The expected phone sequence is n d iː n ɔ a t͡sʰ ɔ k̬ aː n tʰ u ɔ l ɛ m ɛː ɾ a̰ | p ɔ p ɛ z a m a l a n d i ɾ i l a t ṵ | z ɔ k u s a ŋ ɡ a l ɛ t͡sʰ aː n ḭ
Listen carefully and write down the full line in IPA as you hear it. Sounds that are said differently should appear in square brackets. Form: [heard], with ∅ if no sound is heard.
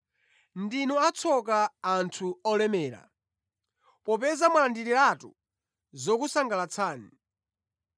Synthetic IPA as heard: n d [i] n ɔ a t͡sʰ ɔ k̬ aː n tʰ u ɔ l ɛ m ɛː ɾ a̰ | p ɔ p ɛ z a m a l a n d i ɾ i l a t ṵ | z ɔ k u s a ŋ ɡ a l [a] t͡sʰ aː n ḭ